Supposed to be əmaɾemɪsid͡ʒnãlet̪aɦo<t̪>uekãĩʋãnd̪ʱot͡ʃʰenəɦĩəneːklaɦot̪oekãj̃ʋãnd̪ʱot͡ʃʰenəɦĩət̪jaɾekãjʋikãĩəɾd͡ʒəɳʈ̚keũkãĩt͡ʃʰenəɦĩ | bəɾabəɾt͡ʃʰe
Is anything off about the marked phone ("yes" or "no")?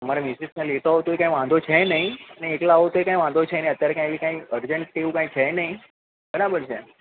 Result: no